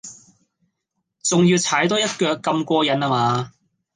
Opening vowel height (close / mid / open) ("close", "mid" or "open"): close